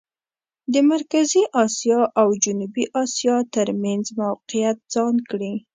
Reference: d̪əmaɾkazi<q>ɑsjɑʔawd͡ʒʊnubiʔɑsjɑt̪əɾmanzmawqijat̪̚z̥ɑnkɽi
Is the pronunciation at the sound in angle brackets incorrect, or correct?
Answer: incorrect